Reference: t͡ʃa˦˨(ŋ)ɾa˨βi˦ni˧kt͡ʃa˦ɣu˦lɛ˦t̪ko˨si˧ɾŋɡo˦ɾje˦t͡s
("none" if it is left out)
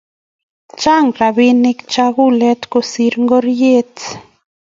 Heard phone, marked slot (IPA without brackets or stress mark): ŋ